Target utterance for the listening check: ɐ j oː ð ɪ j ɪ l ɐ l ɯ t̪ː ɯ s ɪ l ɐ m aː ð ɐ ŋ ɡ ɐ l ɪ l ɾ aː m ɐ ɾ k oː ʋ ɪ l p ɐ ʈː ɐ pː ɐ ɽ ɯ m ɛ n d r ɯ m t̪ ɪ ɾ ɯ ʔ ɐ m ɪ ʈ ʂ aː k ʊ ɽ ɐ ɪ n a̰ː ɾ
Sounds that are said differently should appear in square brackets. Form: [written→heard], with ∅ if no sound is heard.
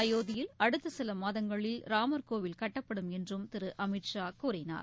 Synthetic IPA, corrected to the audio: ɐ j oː ð ɪ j ɪ l ɐ [l→ɽ] ɯ t̪ː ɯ s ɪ l ɐ m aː ð ɐ ŋ ɡ ɐ [l→ɭ] ɪ l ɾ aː m ɐ ɾ k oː ʋ ɪ l [p→k] ɐ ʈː ɐ pː ɐ ɽ ɯ m ɛ n d r ɯ m t̪ ɪ ɾ ɯ ʔ ɐ m ɪ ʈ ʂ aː k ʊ [ɽ→ɾ] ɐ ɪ n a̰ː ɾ